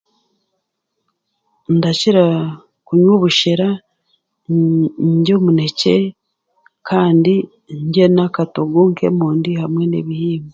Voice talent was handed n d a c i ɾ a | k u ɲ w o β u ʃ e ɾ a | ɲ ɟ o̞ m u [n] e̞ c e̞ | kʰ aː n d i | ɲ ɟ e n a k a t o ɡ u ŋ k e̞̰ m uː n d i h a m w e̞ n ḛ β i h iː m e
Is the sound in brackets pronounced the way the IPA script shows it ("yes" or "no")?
yes